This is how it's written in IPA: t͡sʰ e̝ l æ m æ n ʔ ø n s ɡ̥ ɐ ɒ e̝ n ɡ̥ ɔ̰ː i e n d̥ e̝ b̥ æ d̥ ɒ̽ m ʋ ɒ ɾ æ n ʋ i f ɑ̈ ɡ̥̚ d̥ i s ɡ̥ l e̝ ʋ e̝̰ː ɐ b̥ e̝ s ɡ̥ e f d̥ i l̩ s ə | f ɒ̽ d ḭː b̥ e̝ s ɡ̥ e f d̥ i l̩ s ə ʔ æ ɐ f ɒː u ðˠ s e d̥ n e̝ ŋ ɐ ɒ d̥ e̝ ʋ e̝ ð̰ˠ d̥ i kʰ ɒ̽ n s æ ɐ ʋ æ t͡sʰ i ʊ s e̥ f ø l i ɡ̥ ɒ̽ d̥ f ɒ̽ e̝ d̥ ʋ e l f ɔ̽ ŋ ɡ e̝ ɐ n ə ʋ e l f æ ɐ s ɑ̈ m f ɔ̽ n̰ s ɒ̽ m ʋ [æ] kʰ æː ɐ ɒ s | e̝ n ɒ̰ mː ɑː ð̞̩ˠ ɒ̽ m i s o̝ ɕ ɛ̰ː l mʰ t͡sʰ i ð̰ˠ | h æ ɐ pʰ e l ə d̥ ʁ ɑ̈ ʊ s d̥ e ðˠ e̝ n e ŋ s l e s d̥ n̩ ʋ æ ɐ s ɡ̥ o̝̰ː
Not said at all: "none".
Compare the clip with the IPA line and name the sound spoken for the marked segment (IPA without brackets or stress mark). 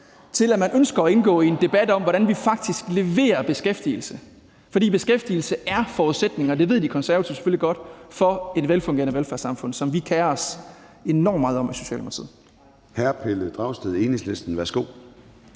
i